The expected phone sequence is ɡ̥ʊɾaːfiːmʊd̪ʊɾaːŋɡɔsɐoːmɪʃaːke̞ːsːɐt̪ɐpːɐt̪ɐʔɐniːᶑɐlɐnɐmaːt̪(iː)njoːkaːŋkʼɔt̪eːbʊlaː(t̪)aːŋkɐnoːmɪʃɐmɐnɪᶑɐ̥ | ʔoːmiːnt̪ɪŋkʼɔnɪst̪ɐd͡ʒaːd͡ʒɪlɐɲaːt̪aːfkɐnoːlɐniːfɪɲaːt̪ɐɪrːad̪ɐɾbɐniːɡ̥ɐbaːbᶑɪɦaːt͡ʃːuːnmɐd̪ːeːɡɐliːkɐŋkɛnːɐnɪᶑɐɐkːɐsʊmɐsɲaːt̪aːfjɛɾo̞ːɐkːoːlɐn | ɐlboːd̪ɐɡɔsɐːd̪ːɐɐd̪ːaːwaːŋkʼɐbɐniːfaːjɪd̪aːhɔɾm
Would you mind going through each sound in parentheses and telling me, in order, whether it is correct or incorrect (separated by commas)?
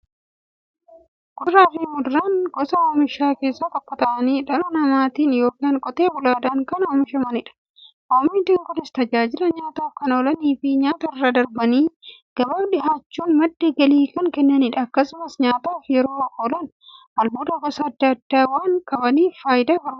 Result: correct, incorrect